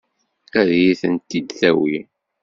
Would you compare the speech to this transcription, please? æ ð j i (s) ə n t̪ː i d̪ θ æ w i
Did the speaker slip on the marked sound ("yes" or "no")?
yes